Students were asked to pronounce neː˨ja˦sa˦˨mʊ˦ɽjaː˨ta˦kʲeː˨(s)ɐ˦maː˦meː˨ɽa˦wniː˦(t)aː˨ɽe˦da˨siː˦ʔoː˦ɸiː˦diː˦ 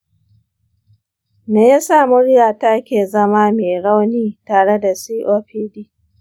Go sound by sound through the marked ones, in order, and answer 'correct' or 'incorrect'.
incorrect, correct

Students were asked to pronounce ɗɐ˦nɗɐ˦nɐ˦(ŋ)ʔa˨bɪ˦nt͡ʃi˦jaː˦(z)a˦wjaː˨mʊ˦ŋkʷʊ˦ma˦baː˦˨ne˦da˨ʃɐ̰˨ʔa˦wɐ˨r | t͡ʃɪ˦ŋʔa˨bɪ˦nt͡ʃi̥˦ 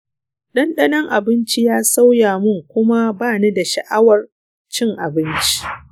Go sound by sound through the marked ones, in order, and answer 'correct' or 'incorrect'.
correct, incorrect

